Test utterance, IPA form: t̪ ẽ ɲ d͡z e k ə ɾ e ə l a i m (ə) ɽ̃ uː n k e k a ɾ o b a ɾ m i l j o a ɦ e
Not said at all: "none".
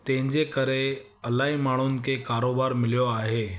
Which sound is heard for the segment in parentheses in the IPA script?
a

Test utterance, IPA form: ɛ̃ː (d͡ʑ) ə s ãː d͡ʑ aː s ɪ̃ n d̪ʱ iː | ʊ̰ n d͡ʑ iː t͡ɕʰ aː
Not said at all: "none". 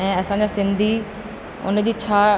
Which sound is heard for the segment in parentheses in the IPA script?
none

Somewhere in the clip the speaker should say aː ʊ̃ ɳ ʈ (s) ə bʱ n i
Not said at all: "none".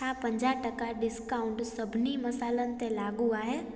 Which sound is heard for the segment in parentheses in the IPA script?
s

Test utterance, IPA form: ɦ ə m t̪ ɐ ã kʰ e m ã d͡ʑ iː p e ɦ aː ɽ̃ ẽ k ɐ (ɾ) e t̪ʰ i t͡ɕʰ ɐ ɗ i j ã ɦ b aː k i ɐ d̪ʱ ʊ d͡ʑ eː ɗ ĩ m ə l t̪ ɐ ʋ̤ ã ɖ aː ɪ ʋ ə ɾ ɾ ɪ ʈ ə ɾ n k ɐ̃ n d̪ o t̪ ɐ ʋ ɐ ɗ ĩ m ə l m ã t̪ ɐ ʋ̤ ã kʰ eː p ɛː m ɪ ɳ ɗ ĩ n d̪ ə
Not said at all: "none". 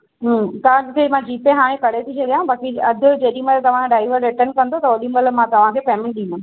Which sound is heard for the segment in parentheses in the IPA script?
ɽ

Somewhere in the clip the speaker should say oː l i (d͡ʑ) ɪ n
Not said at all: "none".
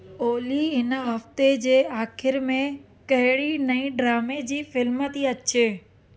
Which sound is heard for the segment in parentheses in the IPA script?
none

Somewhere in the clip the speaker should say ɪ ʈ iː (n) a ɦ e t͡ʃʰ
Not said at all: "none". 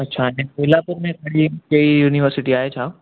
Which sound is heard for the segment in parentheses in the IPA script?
none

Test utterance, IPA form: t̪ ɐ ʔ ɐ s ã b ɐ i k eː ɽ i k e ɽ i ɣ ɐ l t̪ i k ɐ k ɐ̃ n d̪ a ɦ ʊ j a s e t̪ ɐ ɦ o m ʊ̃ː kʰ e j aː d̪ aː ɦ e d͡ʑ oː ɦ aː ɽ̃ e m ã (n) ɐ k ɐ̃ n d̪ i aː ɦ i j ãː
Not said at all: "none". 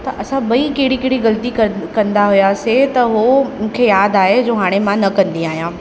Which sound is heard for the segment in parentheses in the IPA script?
n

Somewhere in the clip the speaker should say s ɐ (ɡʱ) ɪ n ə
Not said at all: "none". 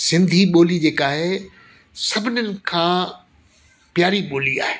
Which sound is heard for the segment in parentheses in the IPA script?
bʱ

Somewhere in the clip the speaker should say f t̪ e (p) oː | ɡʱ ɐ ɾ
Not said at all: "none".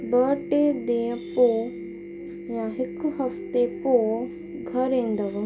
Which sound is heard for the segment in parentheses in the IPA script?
p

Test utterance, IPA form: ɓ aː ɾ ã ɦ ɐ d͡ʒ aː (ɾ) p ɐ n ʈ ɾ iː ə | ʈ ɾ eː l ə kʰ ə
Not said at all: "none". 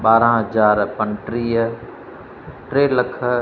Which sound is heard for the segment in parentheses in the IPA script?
ɾ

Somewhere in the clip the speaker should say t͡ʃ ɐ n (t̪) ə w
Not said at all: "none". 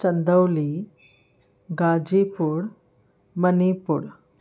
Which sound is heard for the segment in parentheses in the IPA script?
d̪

